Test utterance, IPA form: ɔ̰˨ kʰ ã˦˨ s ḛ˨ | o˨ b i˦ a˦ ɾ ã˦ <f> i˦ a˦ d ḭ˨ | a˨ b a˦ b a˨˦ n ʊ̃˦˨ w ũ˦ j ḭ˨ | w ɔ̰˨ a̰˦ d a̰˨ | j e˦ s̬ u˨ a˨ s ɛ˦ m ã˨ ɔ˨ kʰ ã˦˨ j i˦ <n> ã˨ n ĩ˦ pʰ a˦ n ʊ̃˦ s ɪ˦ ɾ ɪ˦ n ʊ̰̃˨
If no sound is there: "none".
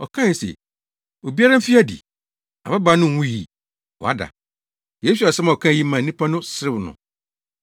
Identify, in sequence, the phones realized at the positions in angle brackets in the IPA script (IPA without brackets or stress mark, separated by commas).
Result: f, m